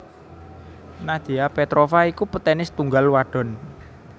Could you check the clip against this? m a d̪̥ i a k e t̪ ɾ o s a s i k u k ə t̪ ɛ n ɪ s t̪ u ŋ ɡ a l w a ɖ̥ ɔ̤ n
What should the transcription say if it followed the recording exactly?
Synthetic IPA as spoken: n a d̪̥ i a p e t̪ ɾ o f a i k u p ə t̪ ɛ n ɪ s t̪ u ŋ ɡ a l w a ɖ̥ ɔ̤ n